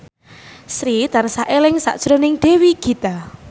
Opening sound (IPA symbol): s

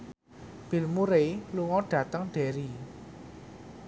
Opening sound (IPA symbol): b̥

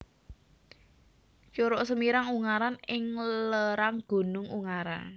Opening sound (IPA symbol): t͡ʃ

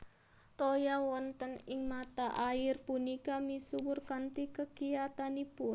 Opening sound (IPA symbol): t̪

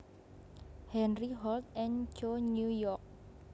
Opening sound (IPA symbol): h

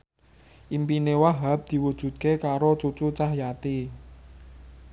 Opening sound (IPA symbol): ʔ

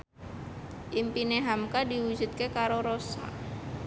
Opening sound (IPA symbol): ʔ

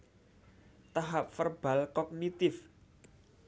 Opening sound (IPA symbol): t̪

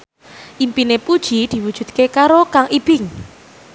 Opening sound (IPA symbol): ʔ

